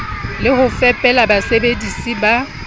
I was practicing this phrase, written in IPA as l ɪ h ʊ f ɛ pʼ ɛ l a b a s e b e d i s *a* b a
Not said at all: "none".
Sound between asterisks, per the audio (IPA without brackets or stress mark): i